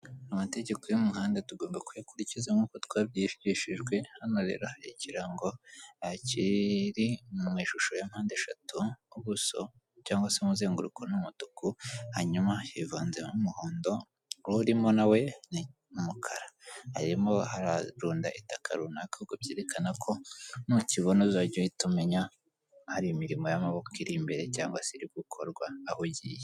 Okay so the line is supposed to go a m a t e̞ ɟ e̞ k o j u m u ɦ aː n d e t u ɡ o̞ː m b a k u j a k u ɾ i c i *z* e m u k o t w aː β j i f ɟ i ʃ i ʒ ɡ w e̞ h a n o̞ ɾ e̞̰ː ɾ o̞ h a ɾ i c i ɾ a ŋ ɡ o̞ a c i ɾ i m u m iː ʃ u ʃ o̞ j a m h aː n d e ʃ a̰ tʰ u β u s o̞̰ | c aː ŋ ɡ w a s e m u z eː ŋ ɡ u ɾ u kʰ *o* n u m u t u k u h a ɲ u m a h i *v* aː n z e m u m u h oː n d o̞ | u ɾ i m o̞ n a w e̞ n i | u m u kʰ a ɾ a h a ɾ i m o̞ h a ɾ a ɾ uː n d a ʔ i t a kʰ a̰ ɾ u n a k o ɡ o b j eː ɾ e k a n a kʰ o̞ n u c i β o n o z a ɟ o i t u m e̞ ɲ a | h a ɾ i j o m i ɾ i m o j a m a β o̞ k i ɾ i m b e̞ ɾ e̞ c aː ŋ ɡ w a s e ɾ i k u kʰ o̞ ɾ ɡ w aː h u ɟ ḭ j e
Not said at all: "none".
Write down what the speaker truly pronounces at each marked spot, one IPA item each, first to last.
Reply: z, o, v

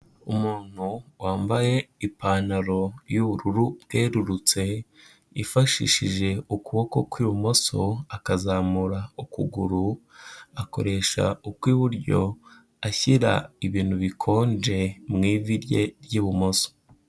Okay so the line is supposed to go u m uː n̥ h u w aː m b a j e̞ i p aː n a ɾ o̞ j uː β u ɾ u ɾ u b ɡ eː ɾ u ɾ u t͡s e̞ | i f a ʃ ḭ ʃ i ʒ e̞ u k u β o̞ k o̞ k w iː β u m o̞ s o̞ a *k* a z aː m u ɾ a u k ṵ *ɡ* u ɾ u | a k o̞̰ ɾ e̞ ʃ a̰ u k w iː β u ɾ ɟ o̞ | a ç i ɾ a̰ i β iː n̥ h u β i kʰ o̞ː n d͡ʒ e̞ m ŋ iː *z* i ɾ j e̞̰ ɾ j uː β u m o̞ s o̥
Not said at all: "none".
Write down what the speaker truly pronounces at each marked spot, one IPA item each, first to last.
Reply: k, ɡ, v

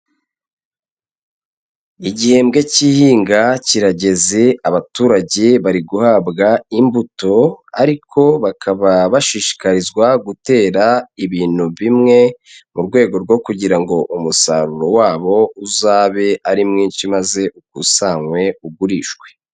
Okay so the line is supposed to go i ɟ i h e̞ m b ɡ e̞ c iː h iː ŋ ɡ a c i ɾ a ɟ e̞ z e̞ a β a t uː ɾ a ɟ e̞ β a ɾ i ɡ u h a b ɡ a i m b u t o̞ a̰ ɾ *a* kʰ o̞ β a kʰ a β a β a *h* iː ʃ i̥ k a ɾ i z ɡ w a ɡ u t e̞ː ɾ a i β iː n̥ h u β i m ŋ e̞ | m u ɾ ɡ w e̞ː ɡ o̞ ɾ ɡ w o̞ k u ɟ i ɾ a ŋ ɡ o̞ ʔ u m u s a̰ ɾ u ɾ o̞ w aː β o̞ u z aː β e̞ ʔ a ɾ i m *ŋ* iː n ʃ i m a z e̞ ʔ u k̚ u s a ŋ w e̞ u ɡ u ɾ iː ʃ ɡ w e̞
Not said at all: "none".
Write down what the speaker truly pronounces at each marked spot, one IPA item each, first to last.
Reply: i, ʃ, ŋ

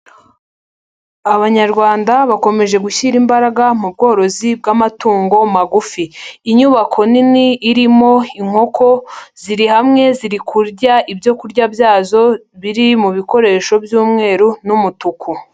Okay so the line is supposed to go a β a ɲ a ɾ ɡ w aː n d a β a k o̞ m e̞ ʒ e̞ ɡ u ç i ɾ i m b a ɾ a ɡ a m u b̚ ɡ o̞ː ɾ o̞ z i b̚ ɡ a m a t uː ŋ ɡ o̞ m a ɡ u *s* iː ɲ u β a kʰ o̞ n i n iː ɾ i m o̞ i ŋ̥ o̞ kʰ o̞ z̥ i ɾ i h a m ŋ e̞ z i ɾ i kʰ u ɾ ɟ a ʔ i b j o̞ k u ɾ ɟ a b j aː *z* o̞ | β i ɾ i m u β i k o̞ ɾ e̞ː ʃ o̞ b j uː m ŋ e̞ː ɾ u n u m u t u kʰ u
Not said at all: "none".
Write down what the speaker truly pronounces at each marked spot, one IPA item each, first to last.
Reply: f, z

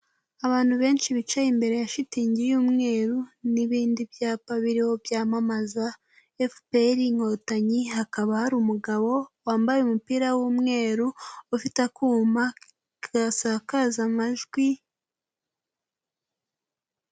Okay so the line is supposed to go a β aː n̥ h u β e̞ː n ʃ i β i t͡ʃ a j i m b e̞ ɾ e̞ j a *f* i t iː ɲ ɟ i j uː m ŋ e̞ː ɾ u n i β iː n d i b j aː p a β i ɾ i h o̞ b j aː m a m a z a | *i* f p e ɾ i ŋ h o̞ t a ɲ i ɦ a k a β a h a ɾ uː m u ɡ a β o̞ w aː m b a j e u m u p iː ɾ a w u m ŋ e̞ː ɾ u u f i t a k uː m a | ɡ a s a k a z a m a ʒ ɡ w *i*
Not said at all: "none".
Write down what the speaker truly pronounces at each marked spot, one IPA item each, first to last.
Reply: ʃ, e, i

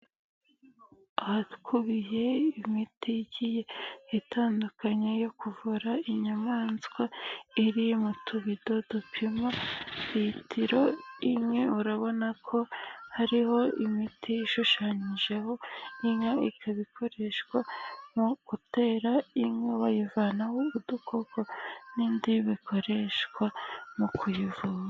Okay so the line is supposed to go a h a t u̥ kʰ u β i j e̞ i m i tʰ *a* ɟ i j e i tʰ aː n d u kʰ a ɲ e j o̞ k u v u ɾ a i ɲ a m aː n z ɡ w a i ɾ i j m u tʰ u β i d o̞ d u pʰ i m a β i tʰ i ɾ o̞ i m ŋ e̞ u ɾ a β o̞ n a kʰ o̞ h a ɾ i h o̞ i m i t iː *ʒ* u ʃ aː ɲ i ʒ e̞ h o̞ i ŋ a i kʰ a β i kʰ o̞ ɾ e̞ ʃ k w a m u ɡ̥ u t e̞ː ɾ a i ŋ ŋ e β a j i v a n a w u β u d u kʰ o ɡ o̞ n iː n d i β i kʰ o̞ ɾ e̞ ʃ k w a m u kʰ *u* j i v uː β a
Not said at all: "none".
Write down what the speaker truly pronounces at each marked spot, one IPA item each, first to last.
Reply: i, ʃ, u

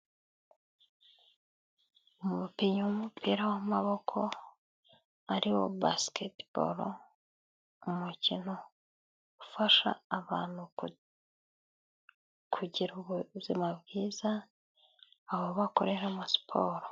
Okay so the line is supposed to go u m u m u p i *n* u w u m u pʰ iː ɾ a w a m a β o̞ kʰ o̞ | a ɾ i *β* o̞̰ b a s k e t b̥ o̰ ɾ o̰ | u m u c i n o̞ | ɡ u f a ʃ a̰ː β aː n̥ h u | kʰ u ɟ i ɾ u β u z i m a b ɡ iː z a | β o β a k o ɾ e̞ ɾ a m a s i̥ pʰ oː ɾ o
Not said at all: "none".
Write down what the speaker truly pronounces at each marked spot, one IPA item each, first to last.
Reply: ɲ, w

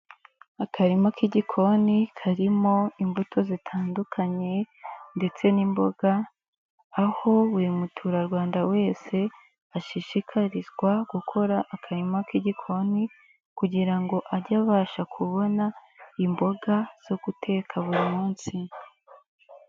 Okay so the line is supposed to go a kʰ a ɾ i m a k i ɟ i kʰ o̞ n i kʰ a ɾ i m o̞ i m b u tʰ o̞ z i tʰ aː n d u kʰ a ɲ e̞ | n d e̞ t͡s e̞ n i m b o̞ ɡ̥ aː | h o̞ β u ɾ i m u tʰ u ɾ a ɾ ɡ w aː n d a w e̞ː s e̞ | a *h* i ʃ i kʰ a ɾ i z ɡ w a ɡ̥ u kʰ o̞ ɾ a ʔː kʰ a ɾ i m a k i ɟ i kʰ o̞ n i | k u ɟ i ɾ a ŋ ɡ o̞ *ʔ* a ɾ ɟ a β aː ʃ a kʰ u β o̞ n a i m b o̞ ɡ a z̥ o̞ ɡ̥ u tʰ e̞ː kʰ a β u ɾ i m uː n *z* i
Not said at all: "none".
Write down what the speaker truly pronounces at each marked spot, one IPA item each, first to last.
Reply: ʃ, ʔ, s

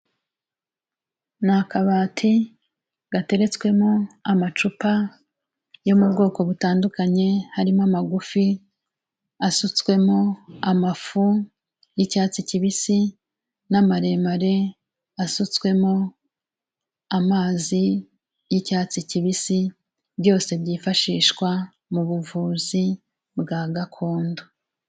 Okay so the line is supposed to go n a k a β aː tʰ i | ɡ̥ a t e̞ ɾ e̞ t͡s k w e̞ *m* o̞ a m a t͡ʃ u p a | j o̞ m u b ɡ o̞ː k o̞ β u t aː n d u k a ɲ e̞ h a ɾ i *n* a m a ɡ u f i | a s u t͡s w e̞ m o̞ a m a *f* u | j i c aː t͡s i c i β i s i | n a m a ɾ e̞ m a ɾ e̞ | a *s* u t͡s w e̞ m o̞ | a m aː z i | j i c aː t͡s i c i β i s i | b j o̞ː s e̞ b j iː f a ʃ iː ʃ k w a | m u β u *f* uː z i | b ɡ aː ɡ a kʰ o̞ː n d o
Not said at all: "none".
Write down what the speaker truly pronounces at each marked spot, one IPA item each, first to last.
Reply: m, m, f, s, v

